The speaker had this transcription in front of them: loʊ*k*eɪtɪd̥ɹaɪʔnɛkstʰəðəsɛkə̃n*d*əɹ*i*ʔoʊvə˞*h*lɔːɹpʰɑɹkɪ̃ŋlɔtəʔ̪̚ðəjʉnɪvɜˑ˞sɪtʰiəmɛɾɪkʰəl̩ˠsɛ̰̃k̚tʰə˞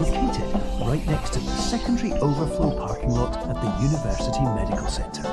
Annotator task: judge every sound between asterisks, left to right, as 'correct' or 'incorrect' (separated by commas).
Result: incorrect, correct, correct, incorrect